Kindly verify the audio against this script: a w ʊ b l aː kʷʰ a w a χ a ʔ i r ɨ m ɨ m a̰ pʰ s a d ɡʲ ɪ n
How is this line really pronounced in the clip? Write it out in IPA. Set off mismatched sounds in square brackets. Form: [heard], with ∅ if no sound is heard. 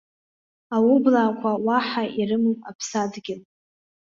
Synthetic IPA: a w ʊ b l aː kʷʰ a w a [ħ] a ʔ i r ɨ m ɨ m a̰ pʰ s a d ɡʲ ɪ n